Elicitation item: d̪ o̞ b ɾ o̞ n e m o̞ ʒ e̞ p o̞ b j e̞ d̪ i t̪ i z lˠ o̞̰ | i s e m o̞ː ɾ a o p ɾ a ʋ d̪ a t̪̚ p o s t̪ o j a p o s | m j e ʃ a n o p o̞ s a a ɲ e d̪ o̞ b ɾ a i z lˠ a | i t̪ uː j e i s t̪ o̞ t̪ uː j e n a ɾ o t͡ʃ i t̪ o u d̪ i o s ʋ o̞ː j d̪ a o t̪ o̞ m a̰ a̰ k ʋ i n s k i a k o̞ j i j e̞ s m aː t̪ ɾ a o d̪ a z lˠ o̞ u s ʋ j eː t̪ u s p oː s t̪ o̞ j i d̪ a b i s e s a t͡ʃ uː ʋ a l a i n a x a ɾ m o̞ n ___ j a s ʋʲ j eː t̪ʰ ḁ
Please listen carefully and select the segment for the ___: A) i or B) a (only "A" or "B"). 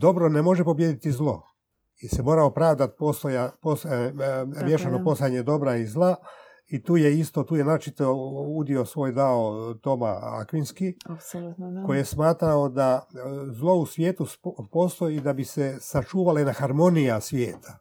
A